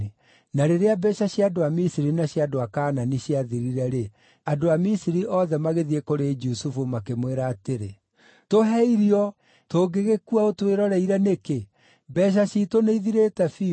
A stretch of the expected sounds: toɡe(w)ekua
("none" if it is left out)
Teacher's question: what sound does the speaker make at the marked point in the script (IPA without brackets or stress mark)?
ɣ